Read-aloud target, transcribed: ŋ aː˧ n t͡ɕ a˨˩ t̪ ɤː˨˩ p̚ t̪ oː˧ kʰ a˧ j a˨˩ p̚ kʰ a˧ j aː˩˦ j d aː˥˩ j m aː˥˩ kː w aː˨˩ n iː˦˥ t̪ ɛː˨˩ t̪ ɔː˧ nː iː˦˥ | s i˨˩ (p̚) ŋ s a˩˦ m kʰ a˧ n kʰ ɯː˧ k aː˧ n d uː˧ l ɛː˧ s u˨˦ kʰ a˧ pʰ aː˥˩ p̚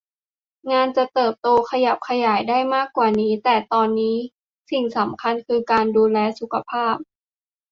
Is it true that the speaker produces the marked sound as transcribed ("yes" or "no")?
no